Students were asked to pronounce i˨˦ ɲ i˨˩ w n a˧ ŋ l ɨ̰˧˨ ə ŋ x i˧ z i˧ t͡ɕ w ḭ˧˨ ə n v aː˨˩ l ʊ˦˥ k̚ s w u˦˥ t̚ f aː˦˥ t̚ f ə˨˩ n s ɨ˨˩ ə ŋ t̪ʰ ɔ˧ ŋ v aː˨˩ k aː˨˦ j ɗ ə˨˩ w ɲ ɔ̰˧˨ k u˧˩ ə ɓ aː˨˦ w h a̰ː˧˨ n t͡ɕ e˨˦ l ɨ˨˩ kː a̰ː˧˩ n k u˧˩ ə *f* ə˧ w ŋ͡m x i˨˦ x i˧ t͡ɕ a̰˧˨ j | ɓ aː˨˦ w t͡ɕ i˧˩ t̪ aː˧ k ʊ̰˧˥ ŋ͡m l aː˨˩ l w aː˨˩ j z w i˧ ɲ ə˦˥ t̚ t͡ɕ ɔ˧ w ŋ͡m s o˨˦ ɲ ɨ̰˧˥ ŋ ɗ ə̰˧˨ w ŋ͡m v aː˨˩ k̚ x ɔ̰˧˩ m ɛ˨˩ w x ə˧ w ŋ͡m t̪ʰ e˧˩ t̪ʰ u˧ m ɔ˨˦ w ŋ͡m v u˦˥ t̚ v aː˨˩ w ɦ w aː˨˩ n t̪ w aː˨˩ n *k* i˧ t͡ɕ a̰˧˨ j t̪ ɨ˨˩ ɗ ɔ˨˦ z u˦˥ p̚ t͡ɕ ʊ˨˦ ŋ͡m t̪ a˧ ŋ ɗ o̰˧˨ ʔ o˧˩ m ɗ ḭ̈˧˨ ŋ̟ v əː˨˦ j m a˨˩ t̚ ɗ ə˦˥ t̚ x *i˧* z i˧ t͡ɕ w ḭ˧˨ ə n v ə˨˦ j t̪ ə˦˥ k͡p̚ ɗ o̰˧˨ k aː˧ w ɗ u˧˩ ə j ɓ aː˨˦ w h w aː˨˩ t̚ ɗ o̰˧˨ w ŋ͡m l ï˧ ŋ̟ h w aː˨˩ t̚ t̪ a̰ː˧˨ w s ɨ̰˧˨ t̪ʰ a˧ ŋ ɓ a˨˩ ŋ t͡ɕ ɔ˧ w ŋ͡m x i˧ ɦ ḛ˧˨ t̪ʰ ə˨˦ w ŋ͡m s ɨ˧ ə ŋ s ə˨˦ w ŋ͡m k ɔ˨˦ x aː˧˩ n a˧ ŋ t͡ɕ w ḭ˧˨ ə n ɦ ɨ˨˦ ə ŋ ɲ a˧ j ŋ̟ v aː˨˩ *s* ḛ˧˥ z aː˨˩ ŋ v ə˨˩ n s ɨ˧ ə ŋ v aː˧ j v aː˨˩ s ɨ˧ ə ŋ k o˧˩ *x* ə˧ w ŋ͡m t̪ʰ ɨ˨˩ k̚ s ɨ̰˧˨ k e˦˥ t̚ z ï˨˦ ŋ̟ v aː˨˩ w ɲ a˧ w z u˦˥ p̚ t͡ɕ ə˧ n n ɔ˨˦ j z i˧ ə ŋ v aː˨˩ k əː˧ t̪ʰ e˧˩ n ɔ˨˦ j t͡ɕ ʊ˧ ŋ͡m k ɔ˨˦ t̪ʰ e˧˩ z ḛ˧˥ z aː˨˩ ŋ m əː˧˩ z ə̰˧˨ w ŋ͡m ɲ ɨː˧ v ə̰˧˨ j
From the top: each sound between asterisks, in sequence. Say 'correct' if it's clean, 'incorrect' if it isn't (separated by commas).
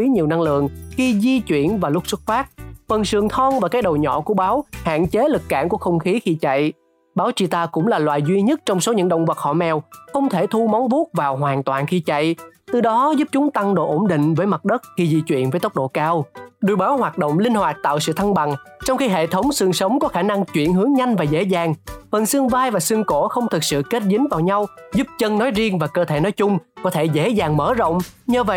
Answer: incorrect, incorrect, correct, incorrect, correct